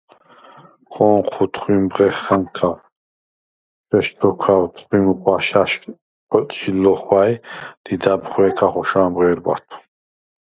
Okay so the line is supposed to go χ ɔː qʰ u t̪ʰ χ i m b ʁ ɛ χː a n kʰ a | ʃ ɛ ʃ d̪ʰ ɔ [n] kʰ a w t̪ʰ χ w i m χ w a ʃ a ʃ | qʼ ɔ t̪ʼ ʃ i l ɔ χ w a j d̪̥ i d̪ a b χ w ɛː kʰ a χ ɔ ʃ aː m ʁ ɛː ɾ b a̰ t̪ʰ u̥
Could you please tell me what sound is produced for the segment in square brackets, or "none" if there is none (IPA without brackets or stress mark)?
none